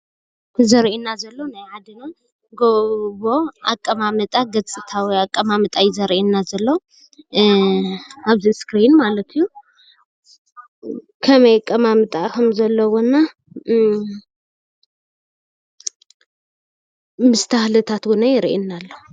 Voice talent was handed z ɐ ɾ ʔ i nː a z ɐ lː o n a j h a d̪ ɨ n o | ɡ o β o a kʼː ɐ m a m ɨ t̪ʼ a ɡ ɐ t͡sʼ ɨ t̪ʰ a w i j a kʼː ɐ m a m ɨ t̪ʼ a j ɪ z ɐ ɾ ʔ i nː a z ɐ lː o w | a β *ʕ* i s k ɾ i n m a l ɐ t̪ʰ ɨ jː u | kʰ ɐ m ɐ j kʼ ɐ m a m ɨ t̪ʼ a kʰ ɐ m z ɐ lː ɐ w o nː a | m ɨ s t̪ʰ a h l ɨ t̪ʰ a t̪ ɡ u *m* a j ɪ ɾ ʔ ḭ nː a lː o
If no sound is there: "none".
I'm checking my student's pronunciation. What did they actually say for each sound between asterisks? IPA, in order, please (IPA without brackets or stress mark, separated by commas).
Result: z, n